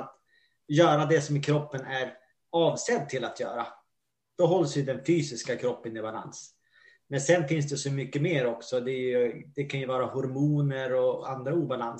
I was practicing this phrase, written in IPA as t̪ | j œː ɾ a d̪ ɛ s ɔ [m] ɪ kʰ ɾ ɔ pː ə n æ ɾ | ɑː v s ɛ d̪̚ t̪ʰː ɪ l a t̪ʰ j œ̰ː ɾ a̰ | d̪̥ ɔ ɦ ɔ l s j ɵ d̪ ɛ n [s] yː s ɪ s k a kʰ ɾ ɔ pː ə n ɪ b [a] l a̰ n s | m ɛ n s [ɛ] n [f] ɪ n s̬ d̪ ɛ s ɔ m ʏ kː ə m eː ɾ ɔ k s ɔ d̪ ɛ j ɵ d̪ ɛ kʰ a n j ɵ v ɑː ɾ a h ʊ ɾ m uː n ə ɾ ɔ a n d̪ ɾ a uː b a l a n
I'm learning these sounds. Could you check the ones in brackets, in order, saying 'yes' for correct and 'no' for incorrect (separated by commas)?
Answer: yes, no, yes, yes, yes